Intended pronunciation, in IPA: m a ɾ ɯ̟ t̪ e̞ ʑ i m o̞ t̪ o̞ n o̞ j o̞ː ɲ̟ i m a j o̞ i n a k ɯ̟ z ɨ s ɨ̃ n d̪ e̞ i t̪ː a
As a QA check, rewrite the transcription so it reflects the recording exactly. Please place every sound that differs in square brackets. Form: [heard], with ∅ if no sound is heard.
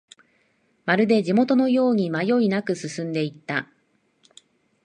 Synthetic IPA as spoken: m a ɾ ɯ̟ [d̪] e̞ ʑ i m o̞ t̪ o̞ n o̞ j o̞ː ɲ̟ i m a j o̞ i n a k ɯ̟ [s] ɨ s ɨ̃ n d̪ e̞ i t̪ː a